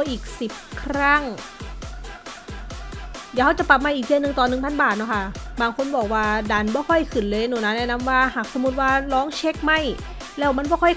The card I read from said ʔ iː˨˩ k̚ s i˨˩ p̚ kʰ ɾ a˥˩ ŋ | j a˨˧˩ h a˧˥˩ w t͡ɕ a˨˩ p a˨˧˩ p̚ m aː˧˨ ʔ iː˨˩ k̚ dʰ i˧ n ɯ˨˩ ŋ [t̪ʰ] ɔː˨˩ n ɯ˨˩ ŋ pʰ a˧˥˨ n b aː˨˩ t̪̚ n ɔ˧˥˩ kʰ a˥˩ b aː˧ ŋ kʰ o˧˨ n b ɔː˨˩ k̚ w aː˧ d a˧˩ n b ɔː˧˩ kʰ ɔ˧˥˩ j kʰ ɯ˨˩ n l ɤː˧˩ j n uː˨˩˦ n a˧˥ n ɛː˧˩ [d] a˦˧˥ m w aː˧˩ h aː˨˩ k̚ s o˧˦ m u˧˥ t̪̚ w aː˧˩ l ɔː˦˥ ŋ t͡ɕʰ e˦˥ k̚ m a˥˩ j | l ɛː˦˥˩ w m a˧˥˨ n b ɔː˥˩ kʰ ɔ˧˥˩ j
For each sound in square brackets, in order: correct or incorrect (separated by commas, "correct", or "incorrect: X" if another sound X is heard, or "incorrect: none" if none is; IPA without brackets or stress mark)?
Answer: incorrect: t̪, incorrect: n